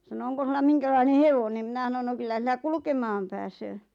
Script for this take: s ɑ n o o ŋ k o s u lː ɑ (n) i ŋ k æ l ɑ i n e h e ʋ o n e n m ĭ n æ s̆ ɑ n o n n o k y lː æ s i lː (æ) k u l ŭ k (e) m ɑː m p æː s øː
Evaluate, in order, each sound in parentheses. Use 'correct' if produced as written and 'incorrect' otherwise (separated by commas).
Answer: incorrect, correct, correct